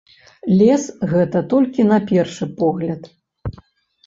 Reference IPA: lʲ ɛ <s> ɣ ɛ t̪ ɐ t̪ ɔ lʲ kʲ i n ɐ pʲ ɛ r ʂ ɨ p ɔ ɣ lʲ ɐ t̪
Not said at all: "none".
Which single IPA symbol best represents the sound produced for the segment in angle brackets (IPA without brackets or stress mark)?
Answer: s